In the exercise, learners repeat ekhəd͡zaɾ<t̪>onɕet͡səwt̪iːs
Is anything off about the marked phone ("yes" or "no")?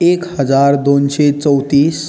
yes